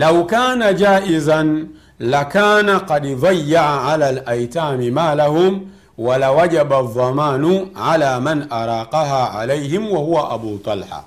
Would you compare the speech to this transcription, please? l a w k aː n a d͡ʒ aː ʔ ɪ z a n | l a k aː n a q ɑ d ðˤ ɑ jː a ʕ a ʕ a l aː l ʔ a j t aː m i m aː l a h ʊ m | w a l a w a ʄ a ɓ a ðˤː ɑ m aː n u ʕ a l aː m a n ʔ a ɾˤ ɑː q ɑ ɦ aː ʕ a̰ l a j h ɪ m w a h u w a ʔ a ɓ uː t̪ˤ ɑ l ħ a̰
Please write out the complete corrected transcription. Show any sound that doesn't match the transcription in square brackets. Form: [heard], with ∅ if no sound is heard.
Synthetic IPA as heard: l a w k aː n a d͡ʒ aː ʔ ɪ z a n | l a k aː n a q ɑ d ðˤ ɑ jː a ʕ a ʕ a l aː l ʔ a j t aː m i m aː l a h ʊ m | w a l a w a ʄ a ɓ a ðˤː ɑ m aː n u ʕ a l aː m a n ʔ a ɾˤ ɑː q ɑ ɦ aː ʕ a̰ l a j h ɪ m w a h u w a ʔ a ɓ uː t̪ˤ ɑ l ħ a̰